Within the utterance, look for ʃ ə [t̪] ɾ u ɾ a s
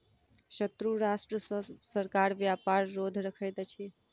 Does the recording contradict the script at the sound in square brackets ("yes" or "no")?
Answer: no